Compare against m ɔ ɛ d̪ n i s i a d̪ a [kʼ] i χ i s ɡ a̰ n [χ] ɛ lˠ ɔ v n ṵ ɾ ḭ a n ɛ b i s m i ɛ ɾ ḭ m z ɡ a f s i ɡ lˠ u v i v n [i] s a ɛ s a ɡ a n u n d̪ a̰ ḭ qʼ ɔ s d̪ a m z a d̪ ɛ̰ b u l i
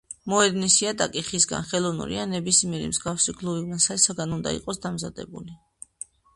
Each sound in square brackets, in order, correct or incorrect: correct, correct, incorrect: a

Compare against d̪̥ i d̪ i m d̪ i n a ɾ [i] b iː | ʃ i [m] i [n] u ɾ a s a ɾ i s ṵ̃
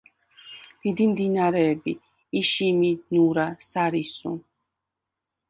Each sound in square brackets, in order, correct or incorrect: incorrect: ɛ, correct, correct

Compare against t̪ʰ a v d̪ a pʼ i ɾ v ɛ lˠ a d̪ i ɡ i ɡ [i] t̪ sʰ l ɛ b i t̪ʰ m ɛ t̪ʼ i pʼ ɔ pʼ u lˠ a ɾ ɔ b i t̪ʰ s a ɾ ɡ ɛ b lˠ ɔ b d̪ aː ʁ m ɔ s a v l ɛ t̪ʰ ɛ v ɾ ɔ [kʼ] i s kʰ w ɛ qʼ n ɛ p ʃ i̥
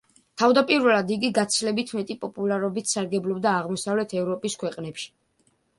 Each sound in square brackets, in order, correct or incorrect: incorrect: a, incorrect: pʼ

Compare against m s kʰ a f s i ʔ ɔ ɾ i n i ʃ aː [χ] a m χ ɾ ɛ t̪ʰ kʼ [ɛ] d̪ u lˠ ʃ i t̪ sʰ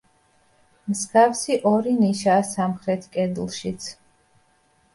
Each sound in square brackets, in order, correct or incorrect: incorrect: s, correct

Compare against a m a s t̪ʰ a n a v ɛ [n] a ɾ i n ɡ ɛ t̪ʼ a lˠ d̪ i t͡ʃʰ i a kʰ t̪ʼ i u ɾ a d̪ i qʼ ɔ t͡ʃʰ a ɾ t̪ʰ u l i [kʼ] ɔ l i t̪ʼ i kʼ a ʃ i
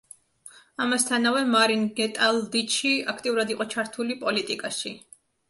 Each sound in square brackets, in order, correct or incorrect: incorrect: m, incorrect: pʼ

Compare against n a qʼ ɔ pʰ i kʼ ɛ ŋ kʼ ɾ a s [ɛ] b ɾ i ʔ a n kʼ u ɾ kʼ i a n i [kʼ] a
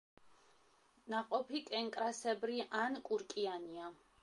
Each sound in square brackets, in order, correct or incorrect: correct, incorrect: none

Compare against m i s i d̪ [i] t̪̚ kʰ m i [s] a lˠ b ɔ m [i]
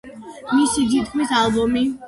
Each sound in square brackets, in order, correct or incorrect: correct, correct, correct

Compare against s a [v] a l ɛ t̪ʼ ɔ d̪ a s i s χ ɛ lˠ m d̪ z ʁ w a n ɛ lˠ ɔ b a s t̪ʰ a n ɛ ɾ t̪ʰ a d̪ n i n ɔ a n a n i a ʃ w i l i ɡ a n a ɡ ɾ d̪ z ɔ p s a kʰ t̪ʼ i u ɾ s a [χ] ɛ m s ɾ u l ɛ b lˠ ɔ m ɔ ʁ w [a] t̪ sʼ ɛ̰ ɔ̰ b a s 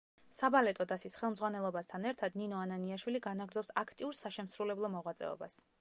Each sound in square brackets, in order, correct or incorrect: incorrect: b, incorrect: ʃ, correct

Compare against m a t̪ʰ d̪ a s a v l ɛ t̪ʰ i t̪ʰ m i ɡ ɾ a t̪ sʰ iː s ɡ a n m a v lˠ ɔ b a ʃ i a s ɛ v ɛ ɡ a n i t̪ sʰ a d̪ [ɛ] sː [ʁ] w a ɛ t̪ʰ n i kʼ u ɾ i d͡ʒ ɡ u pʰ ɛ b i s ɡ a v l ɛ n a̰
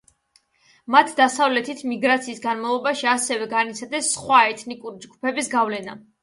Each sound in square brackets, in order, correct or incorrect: correct, incorrect: χ

